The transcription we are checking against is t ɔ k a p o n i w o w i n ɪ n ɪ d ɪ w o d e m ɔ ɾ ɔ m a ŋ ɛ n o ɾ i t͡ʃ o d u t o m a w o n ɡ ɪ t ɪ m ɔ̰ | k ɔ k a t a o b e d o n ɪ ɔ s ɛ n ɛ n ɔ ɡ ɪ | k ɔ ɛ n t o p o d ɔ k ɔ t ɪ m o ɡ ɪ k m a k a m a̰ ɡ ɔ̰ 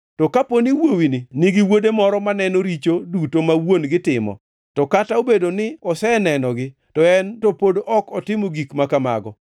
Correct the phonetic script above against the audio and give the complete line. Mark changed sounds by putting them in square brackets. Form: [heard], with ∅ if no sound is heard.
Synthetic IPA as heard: t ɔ k a p o n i w o w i n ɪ n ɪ [ɡ] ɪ w o d e m ɔ ɾ ɔ m a [n] ɛ n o ɾ i t͡ʃ o d u t o m a w o n ɡ ɪ t ɪ m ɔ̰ | [t] ɔ k a t a o b e d o n ɪ ɔ s ɛ n ɛ n ɔ ɡ ɪ | [t] ɔ ɛ n t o p o d ɔ k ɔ t ɪ m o ɡ [i] k m a k a m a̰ ɡ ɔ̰